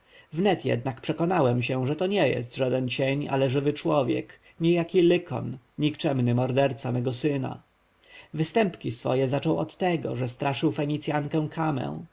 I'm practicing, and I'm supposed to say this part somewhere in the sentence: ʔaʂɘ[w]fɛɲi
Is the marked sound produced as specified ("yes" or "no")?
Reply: yes